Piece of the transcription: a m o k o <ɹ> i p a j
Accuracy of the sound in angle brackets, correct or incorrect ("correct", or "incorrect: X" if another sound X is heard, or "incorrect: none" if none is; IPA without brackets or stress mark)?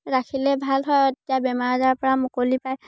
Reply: incorrect: l